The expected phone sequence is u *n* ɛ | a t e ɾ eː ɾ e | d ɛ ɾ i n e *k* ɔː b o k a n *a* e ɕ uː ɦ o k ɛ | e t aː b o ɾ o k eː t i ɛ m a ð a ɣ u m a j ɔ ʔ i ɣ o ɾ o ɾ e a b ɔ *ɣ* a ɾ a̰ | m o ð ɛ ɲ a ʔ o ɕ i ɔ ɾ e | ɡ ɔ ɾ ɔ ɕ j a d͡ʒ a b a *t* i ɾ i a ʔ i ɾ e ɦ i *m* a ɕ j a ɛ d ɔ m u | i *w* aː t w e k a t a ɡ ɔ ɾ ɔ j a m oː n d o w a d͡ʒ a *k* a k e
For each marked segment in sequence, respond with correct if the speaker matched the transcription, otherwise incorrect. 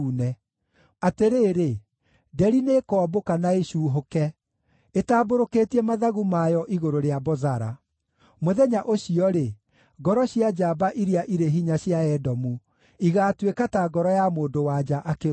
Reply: correct, correct, correct, incorrect: z, incorrect: ʔ, incorrect: ɲ, incorrect: ɣ, incorrect: ʔ

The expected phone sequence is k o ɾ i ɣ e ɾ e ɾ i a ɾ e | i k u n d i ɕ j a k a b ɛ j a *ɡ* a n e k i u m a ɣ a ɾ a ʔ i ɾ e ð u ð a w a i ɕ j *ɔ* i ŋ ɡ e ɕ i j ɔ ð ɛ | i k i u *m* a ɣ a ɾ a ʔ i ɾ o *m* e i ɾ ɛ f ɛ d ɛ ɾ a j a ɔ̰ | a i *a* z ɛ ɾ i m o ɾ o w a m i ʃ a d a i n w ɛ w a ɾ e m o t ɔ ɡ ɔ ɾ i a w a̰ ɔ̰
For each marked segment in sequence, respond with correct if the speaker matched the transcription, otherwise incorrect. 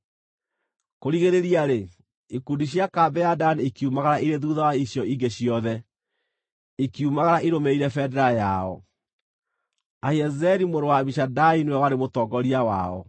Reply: incorrect: d, correct, correct, correct, incorrect: ɛ

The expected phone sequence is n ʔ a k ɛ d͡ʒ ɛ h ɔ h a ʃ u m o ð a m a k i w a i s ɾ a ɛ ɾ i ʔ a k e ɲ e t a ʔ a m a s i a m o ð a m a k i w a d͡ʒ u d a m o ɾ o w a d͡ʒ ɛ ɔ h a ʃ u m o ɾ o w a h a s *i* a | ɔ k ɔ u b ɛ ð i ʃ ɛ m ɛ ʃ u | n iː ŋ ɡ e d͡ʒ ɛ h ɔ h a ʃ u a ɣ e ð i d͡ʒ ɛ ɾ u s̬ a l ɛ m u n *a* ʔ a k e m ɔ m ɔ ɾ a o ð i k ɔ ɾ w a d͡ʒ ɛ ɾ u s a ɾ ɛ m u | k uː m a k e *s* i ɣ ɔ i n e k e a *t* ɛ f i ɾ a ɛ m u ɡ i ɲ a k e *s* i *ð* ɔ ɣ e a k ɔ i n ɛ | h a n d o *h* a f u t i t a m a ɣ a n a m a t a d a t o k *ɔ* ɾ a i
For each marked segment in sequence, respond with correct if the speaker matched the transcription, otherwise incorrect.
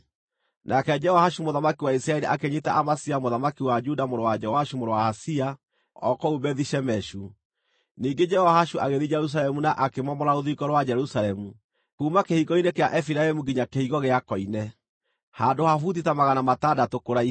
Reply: correct, correct, incorrect: h, incorrect: ʔ, incorrect: h, incorrect: ɣ, correct, incorrect: o

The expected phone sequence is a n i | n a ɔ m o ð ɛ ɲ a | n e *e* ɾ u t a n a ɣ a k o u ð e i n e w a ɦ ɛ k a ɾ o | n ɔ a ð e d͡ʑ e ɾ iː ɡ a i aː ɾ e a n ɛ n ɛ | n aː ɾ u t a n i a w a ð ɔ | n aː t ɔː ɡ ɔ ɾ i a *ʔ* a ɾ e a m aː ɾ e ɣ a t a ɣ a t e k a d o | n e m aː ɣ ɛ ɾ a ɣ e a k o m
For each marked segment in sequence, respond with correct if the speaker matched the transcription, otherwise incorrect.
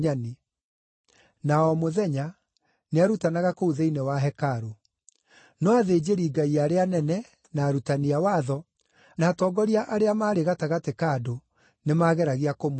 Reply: incorrect: a, correct

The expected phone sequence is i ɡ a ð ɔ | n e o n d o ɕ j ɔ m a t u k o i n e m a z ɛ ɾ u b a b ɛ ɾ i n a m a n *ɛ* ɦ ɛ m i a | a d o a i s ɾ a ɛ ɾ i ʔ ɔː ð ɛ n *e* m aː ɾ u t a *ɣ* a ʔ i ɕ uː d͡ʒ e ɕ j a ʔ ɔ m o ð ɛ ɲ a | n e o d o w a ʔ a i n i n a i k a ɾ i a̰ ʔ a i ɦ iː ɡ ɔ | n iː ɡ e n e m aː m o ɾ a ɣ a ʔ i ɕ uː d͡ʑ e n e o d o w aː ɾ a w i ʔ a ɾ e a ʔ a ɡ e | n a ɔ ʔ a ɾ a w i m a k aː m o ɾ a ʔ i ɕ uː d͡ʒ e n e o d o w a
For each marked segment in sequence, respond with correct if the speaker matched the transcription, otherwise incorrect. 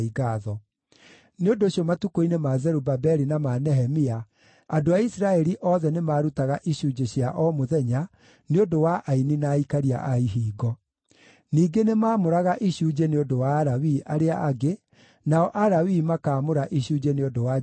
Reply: correct, correct, correct

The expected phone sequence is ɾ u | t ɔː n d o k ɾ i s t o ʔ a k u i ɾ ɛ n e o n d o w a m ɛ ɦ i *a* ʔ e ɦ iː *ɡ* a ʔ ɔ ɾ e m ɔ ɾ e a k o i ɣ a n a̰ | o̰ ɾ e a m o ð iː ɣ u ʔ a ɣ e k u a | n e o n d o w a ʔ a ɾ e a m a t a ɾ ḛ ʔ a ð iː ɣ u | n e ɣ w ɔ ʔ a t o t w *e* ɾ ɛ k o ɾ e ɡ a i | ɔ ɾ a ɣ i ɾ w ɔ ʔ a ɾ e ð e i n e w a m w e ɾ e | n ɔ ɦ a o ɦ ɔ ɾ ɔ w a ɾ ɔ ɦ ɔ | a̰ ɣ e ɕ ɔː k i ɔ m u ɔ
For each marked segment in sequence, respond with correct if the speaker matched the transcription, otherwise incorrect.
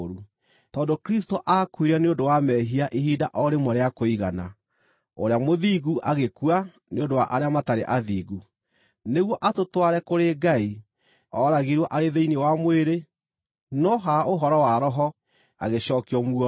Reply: correct, incorrect: d, incorrect: a

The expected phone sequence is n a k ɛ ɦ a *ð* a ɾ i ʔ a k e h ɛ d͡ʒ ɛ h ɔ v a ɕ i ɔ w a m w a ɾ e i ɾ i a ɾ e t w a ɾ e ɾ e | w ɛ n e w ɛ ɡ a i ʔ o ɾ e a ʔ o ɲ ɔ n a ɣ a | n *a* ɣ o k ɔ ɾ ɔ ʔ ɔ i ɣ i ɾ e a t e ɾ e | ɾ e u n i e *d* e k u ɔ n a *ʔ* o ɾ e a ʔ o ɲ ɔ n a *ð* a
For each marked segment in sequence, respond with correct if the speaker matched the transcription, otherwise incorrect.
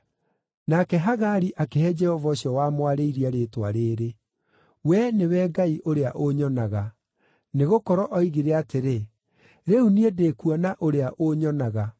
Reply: incorrect: ɣ, incorrect: e, correct, correct, incorrect: ɣ

